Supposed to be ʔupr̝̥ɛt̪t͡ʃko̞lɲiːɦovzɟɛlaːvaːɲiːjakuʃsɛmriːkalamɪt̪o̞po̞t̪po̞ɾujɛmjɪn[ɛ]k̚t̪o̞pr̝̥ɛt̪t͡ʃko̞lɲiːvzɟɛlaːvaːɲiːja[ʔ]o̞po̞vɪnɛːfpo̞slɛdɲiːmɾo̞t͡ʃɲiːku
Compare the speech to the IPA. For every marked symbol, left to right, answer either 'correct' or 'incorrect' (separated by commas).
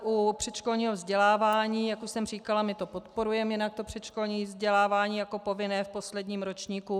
incorrect, incorrect